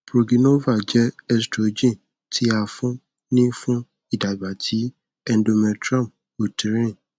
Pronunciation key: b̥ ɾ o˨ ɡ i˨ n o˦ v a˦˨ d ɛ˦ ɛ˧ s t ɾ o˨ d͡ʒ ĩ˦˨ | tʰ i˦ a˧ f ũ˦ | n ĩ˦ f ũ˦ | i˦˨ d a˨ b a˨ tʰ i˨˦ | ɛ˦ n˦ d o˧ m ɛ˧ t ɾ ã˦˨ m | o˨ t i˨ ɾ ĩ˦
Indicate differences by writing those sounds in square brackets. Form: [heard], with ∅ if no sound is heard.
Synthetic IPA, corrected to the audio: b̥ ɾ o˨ ɡ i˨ n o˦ v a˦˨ [d͡ʒ] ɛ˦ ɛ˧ s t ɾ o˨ d͡ʒ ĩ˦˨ | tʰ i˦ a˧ f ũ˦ | n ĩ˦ f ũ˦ | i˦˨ d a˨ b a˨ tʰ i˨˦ | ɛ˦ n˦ d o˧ m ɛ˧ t ɾ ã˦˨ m | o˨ t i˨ ɾ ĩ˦